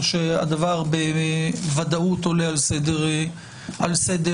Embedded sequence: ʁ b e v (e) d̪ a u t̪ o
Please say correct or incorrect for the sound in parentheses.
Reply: incorrect